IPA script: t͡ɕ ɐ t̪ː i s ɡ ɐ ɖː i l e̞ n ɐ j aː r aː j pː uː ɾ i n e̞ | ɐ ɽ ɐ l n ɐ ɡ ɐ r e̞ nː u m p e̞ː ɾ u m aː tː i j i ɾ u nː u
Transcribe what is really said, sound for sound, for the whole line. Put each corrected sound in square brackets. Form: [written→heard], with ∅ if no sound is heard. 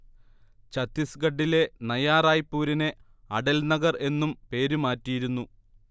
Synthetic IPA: t͡ɕ ɐ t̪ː i s ɡ ɐ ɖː i l e̞ n ɐ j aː r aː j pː uː ɾ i n e̞ | ɐ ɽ ɐ l n ɐ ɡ ɐ r e̞ nː u m p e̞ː ɾ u m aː tː i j i ɾ u nː u